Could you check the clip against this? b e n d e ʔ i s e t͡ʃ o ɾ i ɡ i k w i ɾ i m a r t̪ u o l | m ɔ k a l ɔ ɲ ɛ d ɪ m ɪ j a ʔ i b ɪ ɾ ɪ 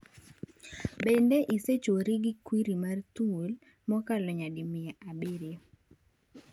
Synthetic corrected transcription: b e n d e ʔ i s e t͡ʃ o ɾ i ɡ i k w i ɾ i m a r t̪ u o l | m ɔ k a l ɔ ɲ a d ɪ m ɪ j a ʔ a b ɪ ɾ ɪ